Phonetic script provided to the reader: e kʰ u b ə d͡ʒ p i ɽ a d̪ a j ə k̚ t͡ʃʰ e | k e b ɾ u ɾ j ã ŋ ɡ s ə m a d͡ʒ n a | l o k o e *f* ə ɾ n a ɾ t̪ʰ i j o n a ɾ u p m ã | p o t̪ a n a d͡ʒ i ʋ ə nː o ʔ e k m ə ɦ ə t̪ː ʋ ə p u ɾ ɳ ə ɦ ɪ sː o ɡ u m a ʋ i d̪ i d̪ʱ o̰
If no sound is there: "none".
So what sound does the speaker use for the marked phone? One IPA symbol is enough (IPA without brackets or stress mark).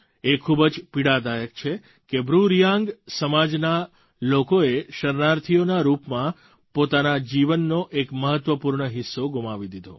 ʃ